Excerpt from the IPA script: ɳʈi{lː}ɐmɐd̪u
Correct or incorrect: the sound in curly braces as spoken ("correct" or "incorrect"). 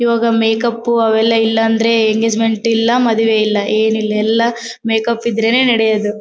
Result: correct